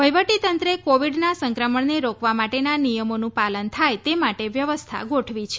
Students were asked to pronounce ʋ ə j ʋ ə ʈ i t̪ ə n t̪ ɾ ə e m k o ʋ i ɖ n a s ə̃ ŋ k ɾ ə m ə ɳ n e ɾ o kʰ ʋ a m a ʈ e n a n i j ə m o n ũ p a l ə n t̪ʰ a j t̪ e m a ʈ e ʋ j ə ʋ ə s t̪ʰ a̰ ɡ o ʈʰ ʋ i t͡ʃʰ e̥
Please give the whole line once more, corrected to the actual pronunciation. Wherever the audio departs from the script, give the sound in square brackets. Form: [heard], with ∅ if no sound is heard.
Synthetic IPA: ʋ ə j ʋ ə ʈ i t̪ ə n t̪ ɾ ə e [∅] k o ʋ i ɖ n a s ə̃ ŋ k ɾ ə m ə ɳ n e ɾ o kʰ ʋ a m a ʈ e n a n i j ə m o n ũ p a l ə n t̪ʰ a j t̪ e m a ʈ e ʋ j ə ʋ ə s t̪ʰ a̰ ɡ o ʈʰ ʋ i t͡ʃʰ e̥